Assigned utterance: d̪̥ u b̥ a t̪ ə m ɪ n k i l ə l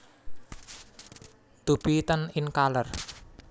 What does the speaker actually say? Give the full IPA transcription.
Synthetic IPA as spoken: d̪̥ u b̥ i t̪ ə n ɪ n k a l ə r